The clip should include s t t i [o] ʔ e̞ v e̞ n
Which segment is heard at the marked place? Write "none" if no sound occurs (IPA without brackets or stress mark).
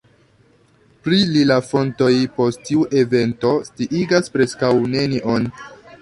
u